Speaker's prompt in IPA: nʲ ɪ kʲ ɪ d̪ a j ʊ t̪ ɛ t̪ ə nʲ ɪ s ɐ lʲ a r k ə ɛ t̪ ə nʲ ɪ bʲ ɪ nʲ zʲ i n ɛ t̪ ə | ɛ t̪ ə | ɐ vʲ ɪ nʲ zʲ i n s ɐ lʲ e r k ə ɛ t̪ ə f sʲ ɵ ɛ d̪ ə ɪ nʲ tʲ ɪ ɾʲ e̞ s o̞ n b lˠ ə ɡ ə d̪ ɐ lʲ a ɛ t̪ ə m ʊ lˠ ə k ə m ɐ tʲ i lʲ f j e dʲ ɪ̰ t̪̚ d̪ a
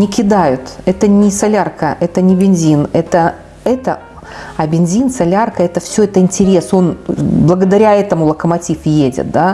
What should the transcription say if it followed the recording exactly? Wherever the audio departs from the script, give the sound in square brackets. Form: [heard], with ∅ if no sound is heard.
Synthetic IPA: nʲ ɪ kʲ ɪ d̪ a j ʊ t̪ ɛ t̪ ə nʲ ɪ s ɐ lʲ a r k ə ɛ t̪ ə nʲ ɪ bʲ ɪ nʲ zʲ i n ɛ t̪ ə | ɛ t̪ ə | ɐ [bʲ] ɪ nʲ zʲ i n s ɐ lʲ [a] r k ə ɛ t̪ ə f sʲ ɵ ɛ [t̪] ə ɪ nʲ tʲ ɪ ɾʲ e̞ s o̞ n b lˠ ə ɡ ə d̪ ɐ [ɾʲ] a ɛ t̪ ə m ʊ lˠ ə k ə m ɐ tʲ i [∅] f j e dʲ ɪ̰ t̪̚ d̪ a